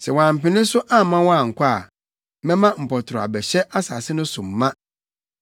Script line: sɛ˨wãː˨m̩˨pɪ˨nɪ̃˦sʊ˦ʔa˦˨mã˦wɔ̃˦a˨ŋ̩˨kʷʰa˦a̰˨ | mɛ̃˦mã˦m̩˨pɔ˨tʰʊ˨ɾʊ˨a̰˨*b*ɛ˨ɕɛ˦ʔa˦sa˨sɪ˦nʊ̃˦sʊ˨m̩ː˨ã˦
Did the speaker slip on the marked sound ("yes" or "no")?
no